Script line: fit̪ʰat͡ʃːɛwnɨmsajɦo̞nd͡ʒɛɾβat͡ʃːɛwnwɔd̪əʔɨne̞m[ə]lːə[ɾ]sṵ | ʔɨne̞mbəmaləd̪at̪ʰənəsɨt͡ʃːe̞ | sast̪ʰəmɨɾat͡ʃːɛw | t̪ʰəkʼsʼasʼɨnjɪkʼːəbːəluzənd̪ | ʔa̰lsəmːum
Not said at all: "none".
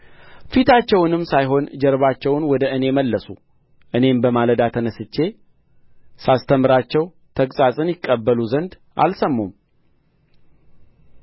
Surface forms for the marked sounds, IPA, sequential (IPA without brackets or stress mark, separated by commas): ə, none